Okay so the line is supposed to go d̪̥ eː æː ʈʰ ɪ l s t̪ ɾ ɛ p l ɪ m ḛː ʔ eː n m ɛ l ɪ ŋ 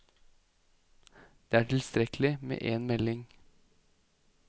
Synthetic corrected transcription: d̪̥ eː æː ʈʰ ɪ l s t̪ ɾ ɛ k l ɪ m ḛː ʔ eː n m ɛ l ɪ ŋ